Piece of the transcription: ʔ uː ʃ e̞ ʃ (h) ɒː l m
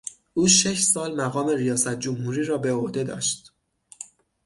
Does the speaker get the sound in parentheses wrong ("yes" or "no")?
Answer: yes